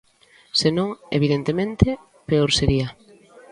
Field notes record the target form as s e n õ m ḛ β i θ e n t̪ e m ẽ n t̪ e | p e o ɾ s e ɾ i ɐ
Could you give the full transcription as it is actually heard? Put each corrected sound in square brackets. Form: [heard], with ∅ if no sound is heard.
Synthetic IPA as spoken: s e n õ [ŋ] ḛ β i [ð] e n t̪ e m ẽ n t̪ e | p e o ɾ s e ɾ i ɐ